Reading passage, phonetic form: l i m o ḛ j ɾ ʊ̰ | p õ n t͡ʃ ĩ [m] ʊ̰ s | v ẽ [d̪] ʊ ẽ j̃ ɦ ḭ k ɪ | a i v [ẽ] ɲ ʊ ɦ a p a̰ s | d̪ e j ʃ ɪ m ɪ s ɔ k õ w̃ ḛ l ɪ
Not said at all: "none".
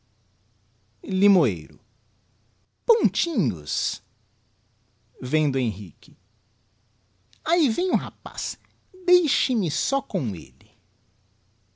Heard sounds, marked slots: ɲ, d̪, ẽ

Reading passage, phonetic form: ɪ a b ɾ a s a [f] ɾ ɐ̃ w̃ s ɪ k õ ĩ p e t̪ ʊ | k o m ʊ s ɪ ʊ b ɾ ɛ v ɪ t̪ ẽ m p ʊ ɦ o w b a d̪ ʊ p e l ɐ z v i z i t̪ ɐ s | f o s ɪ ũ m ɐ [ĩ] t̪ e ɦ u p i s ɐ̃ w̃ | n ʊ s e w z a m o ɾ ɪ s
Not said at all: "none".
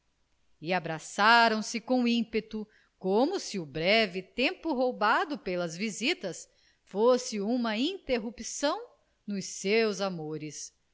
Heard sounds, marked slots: none, ĩ

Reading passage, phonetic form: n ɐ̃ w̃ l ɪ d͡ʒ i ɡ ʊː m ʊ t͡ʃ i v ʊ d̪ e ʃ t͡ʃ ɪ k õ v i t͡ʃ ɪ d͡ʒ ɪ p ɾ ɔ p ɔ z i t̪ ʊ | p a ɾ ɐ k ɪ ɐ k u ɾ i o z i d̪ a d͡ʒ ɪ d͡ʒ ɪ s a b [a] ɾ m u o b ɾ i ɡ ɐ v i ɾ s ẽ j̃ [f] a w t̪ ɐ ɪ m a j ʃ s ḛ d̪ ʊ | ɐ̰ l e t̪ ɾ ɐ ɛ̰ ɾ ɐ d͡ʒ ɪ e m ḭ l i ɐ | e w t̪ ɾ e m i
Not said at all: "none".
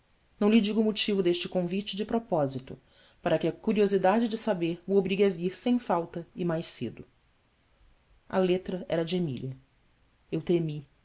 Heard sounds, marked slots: e, f

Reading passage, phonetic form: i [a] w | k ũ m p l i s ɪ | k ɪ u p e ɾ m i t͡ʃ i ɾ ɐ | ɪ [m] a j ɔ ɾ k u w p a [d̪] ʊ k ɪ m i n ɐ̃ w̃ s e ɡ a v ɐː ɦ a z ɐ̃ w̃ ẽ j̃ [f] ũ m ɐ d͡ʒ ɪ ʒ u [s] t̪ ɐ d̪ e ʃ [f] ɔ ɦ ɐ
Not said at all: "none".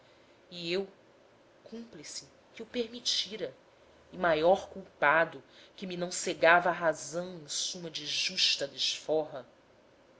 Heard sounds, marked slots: e, m, d̪, s, ʃ, f

